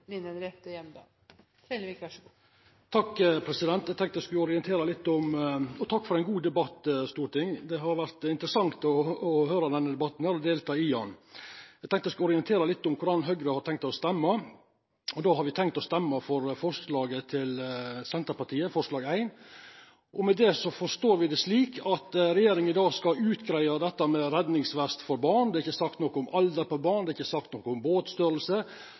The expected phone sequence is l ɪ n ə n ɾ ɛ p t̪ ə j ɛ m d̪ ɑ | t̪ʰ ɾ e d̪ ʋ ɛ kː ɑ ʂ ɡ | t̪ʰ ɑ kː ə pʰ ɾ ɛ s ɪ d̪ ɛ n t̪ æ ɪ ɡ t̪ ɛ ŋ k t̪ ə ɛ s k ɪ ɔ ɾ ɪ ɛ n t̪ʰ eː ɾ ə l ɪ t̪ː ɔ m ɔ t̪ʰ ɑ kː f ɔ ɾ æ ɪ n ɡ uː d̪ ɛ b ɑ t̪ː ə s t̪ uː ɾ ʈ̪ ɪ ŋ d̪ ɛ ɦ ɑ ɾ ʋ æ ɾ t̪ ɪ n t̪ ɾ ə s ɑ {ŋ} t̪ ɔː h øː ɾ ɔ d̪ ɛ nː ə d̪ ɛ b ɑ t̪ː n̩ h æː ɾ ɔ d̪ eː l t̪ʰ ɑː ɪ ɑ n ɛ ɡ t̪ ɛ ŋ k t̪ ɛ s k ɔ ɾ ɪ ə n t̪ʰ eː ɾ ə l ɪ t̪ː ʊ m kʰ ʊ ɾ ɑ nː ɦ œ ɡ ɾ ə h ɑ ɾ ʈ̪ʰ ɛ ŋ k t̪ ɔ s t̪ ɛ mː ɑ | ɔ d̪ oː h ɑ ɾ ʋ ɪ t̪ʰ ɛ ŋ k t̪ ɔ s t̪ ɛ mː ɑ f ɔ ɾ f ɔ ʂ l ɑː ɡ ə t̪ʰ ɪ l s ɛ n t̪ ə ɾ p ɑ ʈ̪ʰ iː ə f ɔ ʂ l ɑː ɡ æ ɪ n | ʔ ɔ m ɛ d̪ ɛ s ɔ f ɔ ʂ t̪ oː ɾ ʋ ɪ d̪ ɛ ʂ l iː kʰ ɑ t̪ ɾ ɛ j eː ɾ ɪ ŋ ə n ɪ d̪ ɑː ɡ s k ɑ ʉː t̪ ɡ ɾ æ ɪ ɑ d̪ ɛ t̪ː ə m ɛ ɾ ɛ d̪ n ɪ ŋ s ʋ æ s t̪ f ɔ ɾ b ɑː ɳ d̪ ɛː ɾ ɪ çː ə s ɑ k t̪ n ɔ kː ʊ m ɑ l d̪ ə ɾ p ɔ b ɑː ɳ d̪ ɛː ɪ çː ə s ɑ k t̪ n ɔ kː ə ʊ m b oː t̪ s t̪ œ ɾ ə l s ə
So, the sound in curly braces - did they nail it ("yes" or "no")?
yes